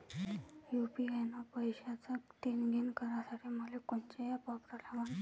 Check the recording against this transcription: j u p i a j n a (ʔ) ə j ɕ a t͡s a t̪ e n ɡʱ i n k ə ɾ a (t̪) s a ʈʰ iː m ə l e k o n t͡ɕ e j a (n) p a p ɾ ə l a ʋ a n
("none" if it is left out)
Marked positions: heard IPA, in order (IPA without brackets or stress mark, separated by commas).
p, none, none